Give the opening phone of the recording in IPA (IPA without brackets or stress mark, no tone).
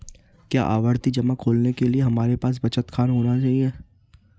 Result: k